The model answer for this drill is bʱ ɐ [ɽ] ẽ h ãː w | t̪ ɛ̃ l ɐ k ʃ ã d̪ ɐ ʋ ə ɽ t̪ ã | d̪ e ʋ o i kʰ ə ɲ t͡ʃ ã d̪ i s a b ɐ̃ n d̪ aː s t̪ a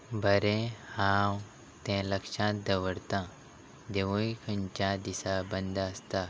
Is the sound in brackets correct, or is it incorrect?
incorrect